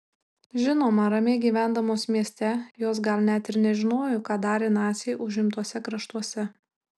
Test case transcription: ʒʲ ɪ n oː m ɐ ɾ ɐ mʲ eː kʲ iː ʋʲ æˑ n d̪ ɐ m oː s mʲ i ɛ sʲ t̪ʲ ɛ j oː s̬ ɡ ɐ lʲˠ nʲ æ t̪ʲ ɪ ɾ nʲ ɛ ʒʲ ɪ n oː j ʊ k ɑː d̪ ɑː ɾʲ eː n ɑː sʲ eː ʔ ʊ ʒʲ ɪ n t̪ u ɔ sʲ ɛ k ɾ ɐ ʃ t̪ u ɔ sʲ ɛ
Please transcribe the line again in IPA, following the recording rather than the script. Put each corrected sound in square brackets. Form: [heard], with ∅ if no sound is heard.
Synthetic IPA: ʒʲ ɪ n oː m ɐ ɾ ɐ mʲ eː [ɡʲ] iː ʋʲ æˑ n d̪ ɐ m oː s mʲ i ɛ sʲ t̪ʲ ɛ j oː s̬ ɡ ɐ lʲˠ nʲ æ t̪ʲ ɪ ɾ nʲ ɛ ʒʲ ɪ n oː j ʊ k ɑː d̪ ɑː ɾʲ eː n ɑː sʲ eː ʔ ʊ ʒʲ ɪ [m] t̪ u ɔ sʲ ɛ k ɾ ɐ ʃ t̪ u ɔ sʲ ɛ